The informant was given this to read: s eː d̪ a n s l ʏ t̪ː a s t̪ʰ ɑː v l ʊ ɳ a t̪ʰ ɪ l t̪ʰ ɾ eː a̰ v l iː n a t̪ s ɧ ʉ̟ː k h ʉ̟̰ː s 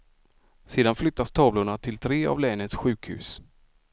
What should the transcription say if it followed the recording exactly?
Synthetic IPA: s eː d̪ a n f l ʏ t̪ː a s t̪ʰ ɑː v l ʊ ɳ a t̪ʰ ɪ l t̪ʰ ɾ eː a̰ v l ɛː n ə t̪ s ɧ ʉ̟ː k h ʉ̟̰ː s